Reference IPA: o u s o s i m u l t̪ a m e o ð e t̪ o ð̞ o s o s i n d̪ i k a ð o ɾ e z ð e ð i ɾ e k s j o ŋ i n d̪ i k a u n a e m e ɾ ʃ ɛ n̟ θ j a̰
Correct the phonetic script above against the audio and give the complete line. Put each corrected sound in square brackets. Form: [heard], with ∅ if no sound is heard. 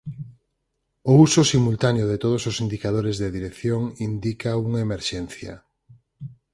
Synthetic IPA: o u s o s i m u l t̪ a [n] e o ð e t̪ o ð̞ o s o s i n d̪ i k a ð o ɾ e z ð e ð i ɾ e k [θ] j o ŋ i n d̪ i k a u [ŋ] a e m e ɾ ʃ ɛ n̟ θ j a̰